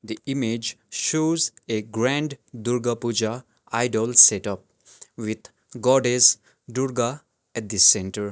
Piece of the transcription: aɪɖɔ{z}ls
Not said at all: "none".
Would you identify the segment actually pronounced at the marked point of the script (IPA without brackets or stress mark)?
none